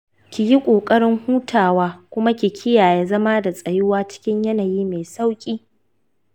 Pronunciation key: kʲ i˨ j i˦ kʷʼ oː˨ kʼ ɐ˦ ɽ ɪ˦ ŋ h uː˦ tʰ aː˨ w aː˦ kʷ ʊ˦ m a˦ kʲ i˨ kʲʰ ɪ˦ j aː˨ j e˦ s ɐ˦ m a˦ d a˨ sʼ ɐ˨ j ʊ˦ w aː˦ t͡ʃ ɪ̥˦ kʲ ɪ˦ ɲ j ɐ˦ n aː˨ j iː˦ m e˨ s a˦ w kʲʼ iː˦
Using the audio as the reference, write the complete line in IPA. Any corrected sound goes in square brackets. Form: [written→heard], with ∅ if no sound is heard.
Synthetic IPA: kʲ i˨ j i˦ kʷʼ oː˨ kʼ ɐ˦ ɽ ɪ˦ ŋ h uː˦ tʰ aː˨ w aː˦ kʷ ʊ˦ m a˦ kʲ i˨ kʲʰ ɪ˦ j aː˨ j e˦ [s→z] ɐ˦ m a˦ d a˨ sʼ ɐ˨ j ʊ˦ w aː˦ t͡ʃ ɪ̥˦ kʲ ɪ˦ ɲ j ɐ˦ n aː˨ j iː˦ m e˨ s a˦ w kʲʼ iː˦